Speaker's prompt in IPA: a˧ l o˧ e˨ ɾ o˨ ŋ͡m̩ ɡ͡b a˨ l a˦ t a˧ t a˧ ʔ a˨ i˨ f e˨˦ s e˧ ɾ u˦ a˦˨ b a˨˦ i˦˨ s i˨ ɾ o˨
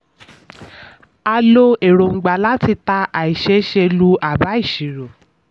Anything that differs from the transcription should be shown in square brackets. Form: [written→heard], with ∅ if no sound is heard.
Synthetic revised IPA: a˧ l o˧ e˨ ɾ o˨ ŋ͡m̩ ɡ͡b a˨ l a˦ t [a˧→i˧] t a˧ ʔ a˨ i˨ [f→ʃ] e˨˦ [s→ʃ] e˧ [ɾ→l] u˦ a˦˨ b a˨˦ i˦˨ [s→ʃ] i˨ ɾ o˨